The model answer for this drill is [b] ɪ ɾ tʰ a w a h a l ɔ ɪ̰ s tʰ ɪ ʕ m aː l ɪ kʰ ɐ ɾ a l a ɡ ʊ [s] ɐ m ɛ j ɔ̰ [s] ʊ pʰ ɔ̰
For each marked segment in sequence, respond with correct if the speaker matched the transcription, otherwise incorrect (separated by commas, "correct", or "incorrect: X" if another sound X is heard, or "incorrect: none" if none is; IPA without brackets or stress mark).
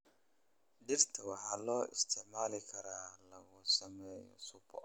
incorrect: d, correct, correct